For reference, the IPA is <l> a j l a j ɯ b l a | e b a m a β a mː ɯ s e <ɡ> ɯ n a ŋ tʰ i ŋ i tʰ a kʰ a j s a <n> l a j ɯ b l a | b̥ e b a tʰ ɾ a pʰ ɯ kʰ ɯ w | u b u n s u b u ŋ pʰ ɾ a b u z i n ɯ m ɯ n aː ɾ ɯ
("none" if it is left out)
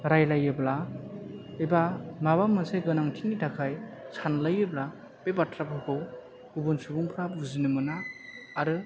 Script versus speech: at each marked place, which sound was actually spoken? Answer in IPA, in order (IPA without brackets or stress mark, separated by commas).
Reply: ɾ, ɡ, n